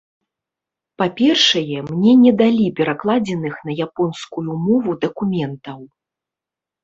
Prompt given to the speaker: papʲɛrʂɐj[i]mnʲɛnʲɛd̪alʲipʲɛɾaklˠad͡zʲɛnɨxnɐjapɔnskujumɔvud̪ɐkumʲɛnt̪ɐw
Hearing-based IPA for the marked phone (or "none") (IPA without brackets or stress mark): ɛ